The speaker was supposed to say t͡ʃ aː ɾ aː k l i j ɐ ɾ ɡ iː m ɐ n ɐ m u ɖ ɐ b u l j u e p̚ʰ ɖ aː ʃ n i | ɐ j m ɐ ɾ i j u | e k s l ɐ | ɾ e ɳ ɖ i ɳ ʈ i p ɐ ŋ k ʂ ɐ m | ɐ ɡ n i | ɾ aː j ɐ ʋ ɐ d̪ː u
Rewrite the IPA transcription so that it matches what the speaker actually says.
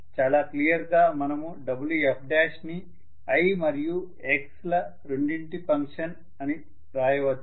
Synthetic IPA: t͡ʃ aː l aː k l i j ɐ ɾ ɡ aː m ɐ n ɐ m u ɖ ɐ b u l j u e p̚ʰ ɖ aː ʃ n i | ɐ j m ɐ ɾ i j u | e k s l ɐ | ɾ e ɳ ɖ i ɳ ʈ i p ɐ ŋ k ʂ ɐ n | ɐ n i | ɾ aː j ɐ ʋ ɐ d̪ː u

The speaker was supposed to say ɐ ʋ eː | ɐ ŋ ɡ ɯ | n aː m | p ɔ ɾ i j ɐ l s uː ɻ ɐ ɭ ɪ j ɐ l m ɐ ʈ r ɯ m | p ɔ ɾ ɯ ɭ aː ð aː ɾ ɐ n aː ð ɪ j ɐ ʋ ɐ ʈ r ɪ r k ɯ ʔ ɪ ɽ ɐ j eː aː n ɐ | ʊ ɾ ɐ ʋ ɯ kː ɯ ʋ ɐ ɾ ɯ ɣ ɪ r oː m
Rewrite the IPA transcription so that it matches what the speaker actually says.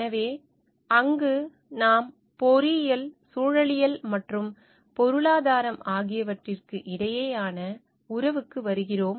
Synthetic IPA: ɐ ʋ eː | ɐ ŋ ɡ ɯ | n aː m | p ɔ ɾ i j ɐ l s uː ɻ ɐ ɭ ɪ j ɐ l m ɐ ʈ r ɯ m | p ɔ ɾ ɯ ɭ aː ð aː ɾ ɐ m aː ɣ ɪ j ɐ ʋ ɐ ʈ r ɪ r k ɯ ʔ ɪ ɽ ɐ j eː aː n ɐ | ʊ ɾ ɐ ʋ ɯ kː ɯ ʋ ɐ ɾ ɯ ɣ ɪ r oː m

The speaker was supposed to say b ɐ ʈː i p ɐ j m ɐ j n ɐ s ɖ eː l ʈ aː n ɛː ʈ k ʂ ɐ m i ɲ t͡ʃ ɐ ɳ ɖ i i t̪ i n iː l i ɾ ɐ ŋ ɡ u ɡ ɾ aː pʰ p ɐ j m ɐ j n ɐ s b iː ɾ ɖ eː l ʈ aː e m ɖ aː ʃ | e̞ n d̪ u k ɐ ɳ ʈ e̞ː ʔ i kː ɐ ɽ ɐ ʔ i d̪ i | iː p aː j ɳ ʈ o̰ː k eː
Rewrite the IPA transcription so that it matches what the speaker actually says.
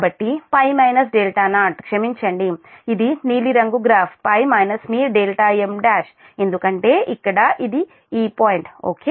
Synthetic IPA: b ɐ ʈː i p ɐ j m ɐ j n ɐ s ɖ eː l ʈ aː n aː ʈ k ʂ ɐ m i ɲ t͡ʃ ɐ ɳ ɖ i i d̪ i n iː l i ɾ ɐ ŋ ɡ u ɡ ɾ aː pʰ p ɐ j m ɐ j n ɐ s m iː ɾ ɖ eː l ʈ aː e m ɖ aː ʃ | e̞ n d̪ u k ɐ ɳ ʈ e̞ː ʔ i kː ɐ ɽ ɐ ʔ i d̪ i | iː p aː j ɳ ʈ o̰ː k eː

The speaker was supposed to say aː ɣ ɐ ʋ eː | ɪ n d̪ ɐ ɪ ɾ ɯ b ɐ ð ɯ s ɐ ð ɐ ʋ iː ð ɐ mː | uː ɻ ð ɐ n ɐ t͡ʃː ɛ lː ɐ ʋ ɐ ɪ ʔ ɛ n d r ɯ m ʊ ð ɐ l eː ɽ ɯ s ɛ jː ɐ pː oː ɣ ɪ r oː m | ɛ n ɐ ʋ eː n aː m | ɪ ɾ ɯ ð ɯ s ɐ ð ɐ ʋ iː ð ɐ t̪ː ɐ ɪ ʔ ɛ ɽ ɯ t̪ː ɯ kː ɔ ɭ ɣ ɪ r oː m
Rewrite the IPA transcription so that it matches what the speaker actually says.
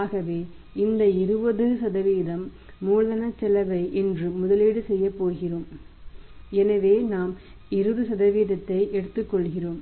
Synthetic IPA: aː ɣ ɐ ʋ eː | ɪ n d̪ ɐ ɪ ɾ ɯ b ɐ ð ɯ s ɐ ð ɐ ʋ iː ð ɐ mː | uː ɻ ð ɐ n ɐ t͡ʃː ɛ l ɐ ʋ ɐ ɪ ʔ ɛ n d r ɯ m ʊ ð ɐ l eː ɽ ɯ s ɛ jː ɐ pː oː ɣ ɪ r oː m | ɛ n ɐ ʋ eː n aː m | ɪ ɾ ɯ ð ɯ s ɐ ð ɐ ʋ iː ð ɐ t̪ː ɐ ɪ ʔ ɛ ɽ ɯ t̪ː ɯ kː ɔ ɭ ɣ ɪ r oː m

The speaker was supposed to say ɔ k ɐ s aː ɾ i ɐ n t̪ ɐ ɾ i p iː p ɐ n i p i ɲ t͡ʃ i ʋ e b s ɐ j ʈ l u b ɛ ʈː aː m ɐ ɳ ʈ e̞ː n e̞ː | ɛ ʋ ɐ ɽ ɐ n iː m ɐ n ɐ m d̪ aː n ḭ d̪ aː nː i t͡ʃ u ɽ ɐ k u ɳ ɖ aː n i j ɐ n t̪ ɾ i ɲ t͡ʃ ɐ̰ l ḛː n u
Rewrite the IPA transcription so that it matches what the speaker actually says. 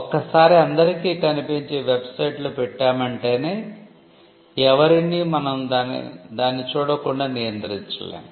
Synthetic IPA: ɔ k ɐ s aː ɾ i ɐ n d̪ ɐ ɾ i k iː k ɐ n i p i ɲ t͡ʃ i ʋ e b s ɐ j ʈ l u p ɛ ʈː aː m ɐ ɳ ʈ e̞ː n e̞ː | ɛ ʋ ɐ ɾ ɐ n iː m ɐ n ɐ m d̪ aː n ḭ d̪ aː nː i t͡ʃ uː ɽ ɐ k u ɳ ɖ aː n i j ɐ n t̪ ɾ i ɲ t͡ʃ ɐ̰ l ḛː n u

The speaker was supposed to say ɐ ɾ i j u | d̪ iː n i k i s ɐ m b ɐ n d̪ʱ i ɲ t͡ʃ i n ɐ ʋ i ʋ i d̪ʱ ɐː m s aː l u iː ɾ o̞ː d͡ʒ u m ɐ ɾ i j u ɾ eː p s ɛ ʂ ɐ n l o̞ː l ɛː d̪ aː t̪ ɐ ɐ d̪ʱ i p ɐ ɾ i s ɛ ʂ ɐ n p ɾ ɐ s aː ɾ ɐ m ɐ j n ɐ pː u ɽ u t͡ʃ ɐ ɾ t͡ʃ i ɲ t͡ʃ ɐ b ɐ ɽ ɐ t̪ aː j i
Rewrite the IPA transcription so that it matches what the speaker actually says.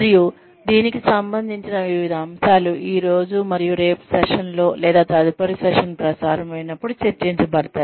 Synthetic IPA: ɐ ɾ i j u | d̪ iː n i k i s ɐ m b ɐ n d̪ʱ i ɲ t͡ʃ i n ɐ ʋ i ʋ i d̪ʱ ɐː m s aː l u iː ɾ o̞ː d͡ʒ u m ɐ ɾ i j u ɾ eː p s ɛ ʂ ɐ n l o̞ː l ɛː d̪ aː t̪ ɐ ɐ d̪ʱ i p ɐ ɾ i s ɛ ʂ ɐ n p ɾ ɐ s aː ɾ ɐ m ɐ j n ɐ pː u ɽ u t͡ʃ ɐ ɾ t͡ʃ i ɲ t͡ʃ ɐ b ɐ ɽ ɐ t̪ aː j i

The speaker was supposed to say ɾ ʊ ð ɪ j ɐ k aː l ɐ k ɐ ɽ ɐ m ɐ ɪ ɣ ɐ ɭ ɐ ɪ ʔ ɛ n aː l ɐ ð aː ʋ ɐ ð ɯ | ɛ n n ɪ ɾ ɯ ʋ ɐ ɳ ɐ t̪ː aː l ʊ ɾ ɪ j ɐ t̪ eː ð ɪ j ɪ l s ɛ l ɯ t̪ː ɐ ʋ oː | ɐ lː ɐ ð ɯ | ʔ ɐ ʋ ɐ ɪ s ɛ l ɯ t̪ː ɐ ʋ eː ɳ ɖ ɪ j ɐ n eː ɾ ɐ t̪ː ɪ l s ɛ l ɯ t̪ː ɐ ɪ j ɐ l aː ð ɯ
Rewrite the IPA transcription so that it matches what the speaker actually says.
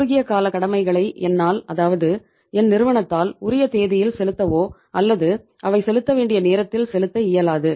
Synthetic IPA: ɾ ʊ ɣ ɪ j ɐ k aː l ɐ k ɐ ɽ ɐ m ɐ ɪ ɣ ɐ ɭ ɐ ɪ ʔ ɛ nː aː l ɐ ð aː ʋ ɐ ð ɯ | ɛ n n ɪ ɾ ɯ ʋ ɐ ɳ ɐ t̪ː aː l ʊ ɾ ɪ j ɐ t̪ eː ð ɪ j ɪ l s ɛ l ɯ t̪ː ɐ ʋ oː | ɐ lː ɐ ð ɯ | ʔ ɐ ʋ ɐ ɪ s ɛ l ɯ t̪ː ɐ ʋ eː ɳ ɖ ɪ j ɐ n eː ɾ ɐ t̪ː ɪ l s ɛ l ɯ t̪ː ɐ ɪ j ɐ l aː ð ɯ

